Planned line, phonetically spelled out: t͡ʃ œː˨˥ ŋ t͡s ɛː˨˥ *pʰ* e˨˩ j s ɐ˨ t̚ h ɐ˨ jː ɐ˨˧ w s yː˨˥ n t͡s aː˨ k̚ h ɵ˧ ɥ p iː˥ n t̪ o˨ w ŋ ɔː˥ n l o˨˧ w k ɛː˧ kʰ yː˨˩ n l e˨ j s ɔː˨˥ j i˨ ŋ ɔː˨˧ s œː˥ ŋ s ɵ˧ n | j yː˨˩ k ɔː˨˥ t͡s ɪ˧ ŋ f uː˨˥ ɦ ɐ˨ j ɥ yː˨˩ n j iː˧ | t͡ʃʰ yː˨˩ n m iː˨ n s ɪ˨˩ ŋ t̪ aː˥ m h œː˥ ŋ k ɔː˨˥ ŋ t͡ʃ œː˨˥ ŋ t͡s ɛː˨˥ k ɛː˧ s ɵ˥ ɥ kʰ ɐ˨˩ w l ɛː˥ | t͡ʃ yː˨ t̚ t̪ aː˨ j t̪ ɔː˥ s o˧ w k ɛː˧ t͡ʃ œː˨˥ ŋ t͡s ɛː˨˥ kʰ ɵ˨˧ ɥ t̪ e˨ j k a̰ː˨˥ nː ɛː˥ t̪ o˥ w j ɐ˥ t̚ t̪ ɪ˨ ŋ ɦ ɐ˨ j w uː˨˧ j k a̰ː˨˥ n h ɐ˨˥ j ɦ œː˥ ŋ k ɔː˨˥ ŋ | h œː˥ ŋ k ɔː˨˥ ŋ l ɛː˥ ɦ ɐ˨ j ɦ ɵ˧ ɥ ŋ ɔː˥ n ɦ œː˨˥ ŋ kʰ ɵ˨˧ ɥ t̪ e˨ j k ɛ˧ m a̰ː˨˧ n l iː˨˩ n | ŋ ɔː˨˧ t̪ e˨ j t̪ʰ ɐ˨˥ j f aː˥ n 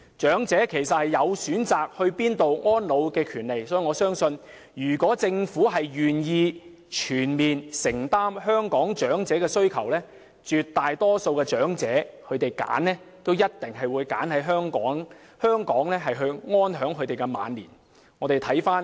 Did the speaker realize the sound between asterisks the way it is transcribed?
no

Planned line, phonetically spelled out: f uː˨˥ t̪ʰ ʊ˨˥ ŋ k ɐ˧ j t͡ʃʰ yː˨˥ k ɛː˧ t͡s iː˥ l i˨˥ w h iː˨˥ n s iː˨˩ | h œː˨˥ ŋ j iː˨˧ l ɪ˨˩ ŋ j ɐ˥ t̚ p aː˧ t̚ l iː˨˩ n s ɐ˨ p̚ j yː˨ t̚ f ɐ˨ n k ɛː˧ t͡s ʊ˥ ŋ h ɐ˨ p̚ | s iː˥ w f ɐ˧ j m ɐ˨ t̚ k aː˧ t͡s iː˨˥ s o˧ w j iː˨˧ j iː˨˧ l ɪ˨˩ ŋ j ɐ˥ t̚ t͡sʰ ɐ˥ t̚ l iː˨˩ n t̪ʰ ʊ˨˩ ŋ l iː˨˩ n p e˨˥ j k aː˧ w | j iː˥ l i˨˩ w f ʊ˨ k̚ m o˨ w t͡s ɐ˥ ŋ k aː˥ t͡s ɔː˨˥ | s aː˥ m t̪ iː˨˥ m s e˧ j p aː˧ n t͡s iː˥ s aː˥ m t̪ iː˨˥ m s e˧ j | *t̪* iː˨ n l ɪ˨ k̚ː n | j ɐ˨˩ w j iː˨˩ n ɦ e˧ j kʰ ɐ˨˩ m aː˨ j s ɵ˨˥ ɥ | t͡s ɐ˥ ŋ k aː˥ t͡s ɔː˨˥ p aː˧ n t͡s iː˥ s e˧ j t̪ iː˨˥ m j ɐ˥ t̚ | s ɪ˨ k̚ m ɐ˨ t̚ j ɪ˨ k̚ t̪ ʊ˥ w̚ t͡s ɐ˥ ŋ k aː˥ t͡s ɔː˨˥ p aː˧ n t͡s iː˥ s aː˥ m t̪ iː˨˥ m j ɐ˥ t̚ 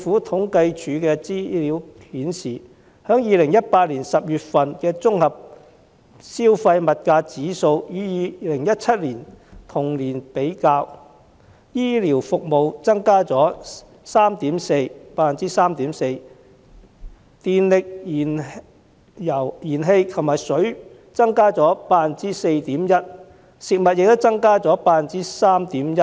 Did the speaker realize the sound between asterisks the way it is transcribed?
yes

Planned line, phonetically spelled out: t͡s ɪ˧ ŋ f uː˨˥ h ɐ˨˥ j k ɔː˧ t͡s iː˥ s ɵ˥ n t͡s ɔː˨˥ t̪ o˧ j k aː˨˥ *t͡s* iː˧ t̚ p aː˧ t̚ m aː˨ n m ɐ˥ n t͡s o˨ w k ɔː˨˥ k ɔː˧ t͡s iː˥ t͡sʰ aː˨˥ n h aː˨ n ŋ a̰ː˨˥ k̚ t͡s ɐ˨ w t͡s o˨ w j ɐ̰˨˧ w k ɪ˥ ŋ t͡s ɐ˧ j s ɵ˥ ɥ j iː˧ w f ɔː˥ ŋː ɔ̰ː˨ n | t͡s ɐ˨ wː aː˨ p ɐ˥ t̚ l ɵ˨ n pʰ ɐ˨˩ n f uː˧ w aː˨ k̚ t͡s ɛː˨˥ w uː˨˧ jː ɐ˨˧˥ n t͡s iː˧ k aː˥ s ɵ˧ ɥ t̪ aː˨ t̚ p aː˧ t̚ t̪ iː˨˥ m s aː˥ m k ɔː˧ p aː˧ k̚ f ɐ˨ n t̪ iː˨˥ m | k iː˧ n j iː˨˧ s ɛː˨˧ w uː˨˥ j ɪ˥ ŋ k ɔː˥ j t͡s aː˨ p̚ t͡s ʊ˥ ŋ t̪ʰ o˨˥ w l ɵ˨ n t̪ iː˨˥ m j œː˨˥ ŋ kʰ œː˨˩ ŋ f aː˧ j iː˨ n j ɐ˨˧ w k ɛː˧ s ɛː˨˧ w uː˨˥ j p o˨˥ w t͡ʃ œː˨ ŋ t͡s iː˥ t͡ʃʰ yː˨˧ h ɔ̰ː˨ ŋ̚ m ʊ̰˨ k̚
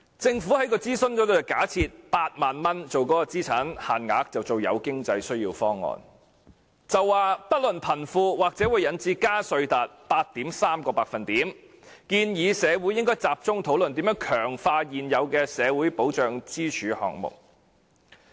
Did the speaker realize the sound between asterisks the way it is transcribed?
no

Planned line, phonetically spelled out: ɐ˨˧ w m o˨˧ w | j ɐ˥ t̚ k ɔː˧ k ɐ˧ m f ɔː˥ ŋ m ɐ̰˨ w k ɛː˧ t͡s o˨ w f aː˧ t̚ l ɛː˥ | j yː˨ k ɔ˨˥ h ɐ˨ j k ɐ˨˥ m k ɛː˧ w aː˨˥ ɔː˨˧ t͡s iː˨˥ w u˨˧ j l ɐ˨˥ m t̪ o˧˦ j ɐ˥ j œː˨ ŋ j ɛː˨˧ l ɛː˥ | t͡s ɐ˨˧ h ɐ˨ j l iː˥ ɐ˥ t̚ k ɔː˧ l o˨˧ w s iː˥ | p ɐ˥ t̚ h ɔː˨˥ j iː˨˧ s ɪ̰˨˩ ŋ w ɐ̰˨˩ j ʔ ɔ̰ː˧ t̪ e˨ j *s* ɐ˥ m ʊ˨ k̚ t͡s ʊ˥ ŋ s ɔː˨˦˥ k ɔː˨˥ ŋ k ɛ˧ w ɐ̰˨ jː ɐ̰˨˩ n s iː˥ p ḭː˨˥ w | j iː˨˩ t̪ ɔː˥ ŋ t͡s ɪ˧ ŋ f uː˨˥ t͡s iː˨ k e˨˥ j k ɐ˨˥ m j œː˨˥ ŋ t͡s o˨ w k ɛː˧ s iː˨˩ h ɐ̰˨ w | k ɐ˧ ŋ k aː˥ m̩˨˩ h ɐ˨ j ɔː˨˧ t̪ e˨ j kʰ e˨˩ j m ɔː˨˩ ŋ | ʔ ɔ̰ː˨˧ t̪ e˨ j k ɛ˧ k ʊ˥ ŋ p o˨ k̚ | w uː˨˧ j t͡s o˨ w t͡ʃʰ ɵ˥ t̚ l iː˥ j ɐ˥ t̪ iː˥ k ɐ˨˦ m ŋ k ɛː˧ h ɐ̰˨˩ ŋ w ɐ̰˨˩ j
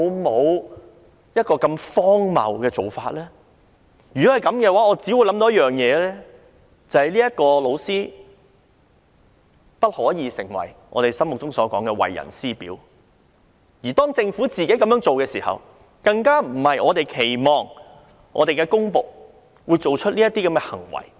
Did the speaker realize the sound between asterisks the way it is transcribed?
yes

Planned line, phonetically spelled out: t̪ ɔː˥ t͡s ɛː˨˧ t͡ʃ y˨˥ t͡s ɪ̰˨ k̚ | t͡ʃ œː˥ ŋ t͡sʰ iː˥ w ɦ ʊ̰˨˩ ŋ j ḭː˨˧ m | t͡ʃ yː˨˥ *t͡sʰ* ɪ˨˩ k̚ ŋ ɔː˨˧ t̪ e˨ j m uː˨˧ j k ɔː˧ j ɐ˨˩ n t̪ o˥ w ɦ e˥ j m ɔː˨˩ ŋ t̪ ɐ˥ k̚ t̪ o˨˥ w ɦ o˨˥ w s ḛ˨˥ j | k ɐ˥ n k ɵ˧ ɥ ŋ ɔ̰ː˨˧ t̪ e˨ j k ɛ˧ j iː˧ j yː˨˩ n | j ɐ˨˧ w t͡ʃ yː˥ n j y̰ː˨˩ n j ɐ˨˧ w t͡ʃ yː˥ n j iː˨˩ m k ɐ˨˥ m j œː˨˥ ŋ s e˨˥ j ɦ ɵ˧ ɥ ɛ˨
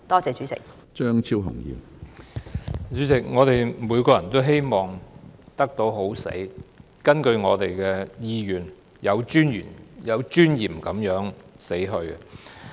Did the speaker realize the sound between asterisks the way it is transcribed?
no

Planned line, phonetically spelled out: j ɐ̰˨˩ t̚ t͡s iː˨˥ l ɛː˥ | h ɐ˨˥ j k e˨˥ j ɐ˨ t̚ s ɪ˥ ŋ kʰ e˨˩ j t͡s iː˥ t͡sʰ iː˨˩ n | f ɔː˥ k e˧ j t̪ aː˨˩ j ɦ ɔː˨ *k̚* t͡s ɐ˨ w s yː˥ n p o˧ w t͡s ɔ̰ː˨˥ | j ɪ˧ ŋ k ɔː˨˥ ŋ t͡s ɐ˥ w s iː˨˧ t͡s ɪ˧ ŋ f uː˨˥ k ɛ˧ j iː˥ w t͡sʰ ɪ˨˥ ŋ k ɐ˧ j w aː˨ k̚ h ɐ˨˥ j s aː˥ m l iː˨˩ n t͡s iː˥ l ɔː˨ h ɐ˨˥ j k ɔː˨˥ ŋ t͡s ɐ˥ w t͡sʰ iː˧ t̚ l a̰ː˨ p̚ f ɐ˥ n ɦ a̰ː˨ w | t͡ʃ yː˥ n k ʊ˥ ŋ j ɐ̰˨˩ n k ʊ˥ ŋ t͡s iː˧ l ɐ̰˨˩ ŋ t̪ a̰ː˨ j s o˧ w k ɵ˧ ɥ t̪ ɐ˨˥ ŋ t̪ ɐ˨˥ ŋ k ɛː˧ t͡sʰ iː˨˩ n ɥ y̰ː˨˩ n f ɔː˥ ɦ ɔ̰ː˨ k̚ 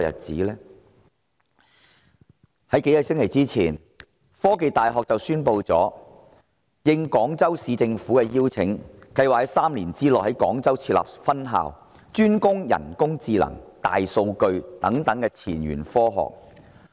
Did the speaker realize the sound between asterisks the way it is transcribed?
yes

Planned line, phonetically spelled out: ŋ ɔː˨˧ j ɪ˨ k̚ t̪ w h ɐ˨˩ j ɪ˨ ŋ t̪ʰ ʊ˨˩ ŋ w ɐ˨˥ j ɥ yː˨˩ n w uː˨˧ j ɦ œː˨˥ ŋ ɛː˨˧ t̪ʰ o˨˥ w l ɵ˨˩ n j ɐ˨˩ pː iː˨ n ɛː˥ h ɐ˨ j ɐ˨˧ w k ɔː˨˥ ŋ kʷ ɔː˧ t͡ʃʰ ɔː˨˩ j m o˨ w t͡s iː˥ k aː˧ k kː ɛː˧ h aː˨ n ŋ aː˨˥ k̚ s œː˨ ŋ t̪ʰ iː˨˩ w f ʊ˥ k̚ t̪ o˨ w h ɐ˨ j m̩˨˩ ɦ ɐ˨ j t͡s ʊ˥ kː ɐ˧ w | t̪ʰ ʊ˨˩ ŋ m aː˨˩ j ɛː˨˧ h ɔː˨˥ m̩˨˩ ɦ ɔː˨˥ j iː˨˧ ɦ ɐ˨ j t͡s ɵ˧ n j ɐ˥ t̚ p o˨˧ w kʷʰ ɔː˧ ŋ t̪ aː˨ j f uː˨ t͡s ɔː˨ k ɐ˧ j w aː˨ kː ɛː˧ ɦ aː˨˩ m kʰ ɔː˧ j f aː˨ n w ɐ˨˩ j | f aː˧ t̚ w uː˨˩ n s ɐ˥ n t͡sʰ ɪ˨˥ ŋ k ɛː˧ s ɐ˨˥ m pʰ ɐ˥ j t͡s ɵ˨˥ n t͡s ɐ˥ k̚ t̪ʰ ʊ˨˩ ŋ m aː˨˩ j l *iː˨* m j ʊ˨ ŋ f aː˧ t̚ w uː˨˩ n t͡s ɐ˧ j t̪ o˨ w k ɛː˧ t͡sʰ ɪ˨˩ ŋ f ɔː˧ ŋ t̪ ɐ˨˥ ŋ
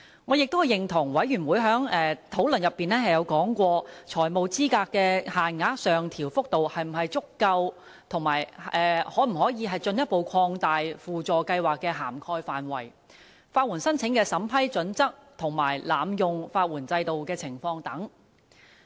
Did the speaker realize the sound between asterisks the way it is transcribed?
no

